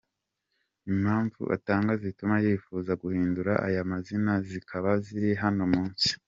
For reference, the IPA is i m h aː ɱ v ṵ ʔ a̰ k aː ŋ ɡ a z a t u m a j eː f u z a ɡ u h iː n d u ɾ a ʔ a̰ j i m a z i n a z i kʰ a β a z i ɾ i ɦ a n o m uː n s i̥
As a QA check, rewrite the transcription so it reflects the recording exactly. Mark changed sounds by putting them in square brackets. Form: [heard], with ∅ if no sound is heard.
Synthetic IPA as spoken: i m h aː ɱ v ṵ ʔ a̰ [t] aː ŋ ɡ a z [i] t u m a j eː f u z a ɡ u h iː n d u ɾ a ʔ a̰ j [a] m a z i n a z i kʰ a β a z i ɾ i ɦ a n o m uː n s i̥